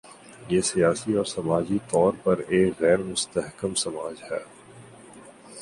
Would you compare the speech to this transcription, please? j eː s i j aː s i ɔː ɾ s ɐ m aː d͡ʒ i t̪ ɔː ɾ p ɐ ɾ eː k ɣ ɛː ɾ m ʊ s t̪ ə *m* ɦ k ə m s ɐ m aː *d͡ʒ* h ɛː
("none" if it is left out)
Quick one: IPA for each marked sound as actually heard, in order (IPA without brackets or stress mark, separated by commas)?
none, d͡ʒ